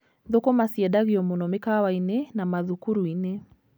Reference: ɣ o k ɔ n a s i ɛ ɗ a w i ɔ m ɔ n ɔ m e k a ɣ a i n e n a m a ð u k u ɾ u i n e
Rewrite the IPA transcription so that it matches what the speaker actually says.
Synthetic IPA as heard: ð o k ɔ m a s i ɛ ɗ a ɣ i ɔ m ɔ n ɔ m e k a w a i n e n a m a ð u k u ɾ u i n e